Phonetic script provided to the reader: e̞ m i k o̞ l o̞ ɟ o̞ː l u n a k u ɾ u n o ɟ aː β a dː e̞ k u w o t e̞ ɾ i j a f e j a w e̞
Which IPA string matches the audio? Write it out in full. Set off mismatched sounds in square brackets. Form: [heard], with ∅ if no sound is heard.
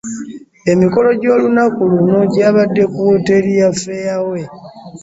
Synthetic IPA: e̞ m i k o̞ l o̞ ɟ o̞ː l u n a k u [l] u n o ɟ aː β a dː e̞ k u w o t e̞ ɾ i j a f e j a w e̞